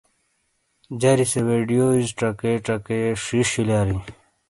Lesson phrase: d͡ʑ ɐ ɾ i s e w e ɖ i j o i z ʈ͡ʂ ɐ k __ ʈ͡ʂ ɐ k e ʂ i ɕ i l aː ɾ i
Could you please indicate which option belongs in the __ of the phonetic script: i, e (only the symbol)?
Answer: e